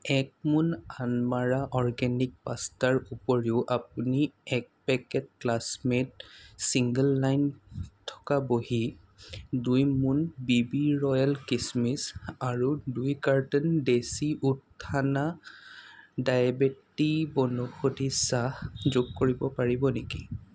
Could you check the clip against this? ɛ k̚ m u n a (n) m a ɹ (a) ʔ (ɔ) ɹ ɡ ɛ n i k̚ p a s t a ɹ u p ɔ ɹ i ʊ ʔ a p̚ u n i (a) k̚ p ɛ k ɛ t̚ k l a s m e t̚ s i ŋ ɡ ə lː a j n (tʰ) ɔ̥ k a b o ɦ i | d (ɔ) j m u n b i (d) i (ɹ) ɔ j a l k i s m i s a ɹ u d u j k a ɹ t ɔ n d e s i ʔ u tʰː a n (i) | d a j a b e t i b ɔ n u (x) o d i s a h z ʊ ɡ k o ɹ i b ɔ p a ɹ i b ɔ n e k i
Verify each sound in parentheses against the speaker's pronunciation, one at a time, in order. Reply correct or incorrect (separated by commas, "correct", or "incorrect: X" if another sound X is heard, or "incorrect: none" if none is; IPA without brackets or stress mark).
correct, correct, correct, incorrect: ɛ, correct, incorrect: u, incorrect: b, correct, incorrect: a, correct